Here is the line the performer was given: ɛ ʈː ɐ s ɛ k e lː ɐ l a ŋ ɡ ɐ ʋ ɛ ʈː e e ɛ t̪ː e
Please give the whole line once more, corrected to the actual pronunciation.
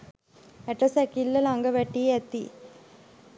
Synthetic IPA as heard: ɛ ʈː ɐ s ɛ k i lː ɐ l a ŋ ɡ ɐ ʋ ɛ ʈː i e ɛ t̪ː i